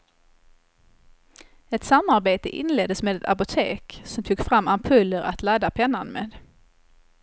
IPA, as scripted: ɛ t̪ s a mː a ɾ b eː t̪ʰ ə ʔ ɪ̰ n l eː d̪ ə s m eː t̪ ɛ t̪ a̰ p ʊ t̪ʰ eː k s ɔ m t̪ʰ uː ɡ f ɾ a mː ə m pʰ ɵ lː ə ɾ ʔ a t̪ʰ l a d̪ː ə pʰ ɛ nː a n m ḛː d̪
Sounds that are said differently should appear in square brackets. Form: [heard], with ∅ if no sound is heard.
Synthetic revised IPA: ɛ t̪ s a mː a ɾ b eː [t̪] ə ʔ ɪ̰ n l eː d̪ ə s m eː [d̪] ɛ t̪ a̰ p ʊ t̪ʰ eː k s ɔ m t̪ʰ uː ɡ f ɾ a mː [a] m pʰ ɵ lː ə ɾ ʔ a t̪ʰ l a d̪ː [a] pʰ ɛ nː a n m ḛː d̪